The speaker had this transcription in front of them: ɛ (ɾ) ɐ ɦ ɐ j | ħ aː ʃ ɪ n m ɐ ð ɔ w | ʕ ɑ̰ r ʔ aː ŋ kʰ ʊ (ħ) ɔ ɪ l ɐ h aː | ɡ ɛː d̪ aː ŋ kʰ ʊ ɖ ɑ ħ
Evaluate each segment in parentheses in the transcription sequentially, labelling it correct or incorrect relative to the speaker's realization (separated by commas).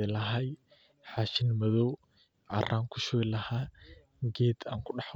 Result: incorrect, incorrect